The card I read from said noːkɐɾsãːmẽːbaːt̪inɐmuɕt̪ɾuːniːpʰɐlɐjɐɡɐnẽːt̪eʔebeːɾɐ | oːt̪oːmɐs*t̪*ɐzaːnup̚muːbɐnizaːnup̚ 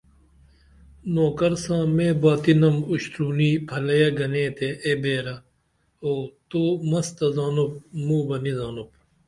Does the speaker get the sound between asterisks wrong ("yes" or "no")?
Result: no